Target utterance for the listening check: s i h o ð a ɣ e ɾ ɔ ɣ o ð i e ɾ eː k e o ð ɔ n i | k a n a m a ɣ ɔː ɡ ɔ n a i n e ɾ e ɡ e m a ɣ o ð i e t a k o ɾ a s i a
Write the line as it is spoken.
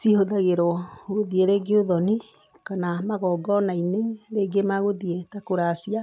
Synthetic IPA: s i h o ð a ɣ e ɾ ɔ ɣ o ð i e ɾ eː ɡ e o ð ɔ n i | k a n a m a ɣ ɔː ɡ ɔ n a i n e ɾ e ɡ e m a ɣ o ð i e t a k o ɾ a s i a